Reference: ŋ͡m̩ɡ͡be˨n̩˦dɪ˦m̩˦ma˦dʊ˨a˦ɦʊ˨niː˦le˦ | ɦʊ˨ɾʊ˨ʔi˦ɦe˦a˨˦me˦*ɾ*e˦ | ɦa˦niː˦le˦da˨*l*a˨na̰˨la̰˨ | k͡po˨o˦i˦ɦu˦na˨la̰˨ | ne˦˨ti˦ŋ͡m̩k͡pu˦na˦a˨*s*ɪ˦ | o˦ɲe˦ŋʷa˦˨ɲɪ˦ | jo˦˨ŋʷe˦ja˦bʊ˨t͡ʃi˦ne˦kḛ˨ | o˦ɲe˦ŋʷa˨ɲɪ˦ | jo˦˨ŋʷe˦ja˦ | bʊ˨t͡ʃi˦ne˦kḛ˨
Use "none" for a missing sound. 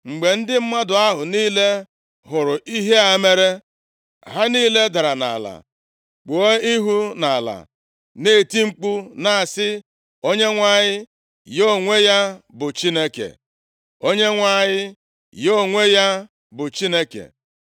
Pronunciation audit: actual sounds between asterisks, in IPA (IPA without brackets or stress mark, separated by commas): ɾ, ɾ, s